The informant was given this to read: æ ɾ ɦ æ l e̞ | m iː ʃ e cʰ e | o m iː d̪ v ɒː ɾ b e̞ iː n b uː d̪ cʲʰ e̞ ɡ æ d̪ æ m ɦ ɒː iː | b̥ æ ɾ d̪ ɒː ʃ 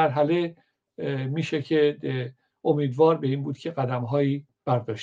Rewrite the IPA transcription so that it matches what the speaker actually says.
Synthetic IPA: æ ɾ ɦ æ l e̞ | m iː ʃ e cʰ e | o m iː d̪ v ɒː ɾ b e̞ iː n b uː d̪ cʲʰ e̞ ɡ æ d̪ æ m ɦ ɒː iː | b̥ æ ɾ d̪ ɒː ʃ